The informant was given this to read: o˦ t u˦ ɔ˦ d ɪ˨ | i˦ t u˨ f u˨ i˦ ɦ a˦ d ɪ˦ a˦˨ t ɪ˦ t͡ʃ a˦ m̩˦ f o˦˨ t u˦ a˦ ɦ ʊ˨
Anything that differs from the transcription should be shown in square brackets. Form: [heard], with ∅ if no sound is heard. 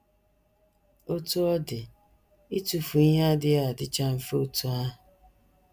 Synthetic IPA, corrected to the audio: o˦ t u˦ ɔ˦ d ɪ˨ | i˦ t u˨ f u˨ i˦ ɦ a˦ d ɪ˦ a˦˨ [d] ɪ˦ t͡ʃ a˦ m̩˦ f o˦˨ t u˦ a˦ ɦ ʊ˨